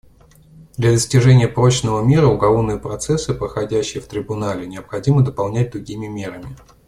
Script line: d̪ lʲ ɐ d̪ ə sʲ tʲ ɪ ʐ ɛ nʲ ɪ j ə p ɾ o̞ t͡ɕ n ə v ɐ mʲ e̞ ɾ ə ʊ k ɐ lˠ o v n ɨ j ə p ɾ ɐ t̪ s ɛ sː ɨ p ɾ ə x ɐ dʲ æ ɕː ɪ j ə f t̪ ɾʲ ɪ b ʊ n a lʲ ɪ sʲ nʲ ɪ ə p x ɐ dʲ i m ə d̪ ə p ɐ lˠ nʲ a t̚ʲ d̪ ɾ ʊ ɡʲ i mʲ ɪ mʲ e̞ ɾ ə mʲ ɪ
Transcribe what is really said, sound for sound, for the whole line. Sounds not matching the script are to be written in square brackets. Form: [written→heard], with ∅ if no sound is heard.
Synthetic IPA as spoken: d̪ lʲ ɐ d̪ ə sʲ tʲ ɪ ʐ ɛ nʲ ɪ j ə p ɾ o̞ t͡ɕ n ə v [ɐ→ə] mʲ e̞ ɾ ə ʊ [k→ɡ] ɐ lˠ o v n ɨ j ə p ɾ ɐ t̪ s ɛ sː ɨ p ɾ ə x ɐ dʲ æ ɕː ɪ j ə f t̪ ɾʲ ɪ b ʊ n a lʲ ɪ [sʲ→∅] nʲ ɪ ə p x ɐ dʲ i m ə d̪ ə p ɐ lˠ nʲ [a→æ] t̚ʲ d̪ ɾ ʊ ɡʲ i mʲ ɪ mʲ e̞ ɾ ə mʲ ɪ